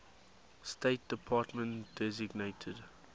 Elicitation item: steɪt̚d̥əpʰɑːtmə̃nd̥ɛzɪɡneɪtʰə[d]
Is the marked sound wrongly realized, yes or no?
no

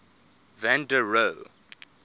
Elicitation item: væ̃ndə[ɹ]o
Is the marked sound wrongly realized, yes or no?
no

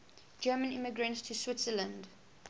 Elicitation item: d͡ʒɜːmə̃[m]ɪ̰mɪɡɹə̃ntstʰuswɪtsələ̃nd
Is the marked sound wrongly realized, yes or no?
yes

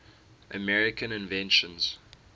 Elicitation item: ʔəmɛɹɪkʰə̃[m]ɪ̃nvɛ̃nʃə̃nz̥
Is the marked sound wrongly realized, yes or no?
yes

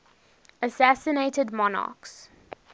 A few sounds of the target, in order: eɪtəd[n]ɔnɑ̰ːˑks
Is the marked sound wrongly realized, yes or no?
yes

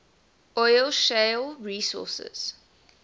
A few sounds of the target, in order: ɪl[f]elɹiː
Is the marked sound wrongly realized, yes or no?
yes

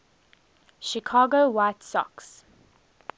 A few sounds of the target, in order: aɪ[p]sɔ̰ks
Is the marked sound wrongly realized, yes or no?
yes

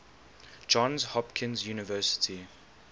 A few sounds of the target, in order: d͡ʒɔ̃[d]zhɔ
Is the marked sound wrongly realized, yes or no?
yes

